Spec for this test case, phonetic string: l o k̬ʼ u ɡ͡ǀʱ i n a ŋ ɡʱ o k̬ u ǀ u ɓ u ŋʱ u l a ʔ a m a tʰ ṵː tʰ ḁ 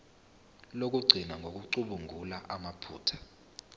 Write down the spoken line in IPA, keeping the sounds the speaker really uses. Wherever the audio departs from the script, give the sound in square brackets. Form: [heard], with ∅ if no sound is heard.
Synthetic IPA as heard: l o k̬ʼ u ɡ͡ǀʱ i n a ŋ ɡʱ o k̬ u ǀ u ɓ u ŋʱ u l a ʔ a m a [pʰ] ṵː tʰ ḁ